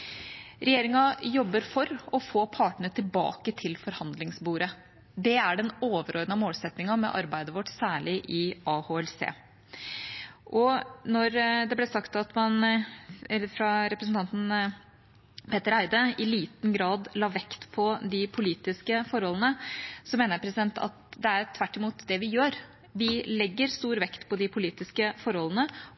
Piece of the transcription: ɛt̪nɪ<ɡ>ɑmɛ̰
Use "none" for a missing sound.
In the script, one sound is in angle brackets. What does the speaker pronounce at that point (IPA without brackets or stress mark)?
ŋ